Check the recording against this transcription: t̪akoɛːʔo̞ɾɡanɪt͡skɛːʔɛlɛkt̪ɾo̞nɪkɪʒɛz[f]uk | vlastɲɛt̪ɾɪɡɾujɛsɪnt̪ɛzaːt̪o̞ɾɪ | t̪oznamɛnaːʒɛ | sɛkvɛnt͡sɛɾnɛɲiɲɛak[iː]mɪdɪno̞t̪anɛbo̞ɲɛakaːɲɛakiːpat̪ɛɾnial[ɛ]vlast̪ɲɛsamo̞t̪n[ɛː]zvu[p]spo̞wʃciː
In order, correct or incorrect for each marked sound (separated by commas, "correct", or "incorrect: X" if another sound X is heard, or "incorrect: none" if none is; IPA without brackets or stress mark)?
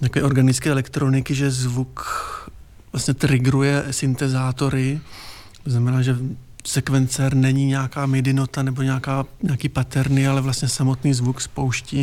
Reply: incorrect: v, incorrect: aː, correct, incorrect: iː, incorrect: k